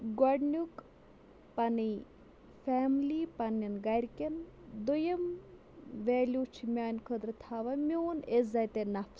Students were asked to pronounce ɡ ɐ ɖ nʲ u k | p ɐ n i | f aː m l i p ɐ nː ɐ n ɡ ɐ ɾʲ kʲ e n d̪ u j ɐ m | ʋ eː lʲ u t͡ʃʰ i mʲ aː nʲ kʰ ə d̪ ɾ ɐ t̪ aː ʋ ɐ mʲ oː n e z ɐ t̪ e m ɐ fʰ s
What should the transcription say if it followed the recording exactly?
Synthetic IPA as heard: ɡ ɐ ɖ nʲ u k | p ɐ n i | f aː m l i p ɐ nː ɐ n ɡ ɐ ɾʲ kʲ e n d̪ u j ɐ m | ʋ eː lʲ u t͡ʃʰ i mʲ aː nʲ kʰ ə d̪ ɾ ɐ t̪ʰ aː ʋ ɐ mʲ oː n e z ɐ t̪ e n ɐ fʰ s